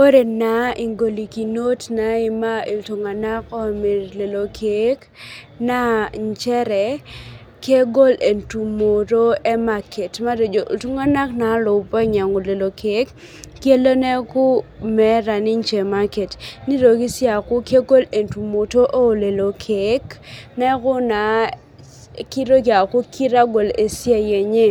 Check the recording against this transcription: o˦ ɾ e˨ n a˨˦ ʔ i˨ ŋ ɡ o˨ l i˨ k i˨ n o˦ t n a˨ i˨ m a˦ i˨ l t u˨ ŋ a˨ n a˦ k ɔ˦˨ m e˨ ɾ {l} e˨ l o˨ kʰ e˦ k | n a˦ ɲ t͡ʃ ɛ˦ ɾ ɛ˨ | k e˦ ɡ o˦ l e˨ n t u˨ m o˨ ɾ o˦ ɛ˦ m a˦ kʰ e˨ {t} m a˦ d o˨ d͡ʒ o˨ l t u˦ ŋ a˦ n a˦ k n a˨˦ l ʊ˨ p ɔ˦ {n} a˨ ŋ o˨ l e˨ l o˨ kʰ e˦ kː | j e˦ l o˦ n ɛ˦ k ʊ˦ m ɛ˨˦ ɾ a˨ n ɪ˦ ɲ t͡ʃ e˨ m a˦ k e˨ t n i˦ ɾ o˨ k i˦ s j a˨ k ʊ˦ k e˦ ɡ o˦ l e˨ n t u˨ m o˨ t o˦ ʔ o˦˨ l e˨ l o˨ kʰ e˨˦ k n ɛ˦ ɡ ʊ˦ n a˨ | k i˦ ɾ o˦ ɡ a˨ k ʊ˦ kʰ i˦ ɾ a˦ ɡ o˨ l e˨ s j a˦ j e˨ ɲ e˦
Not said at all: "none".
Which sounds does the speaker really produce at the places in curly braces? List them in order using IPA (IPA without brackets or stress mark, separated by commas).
l, t, ɲ